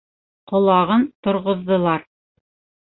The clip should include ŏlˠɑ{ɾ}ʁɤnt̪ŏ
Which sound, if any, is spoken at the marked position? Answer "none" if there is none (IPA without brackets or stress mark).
none